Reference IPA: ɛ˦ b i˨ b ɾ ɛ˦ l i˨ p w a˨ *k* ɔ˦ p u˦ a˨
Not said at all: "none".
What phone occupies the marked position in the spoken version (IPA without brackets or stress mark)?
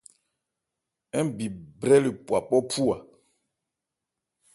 p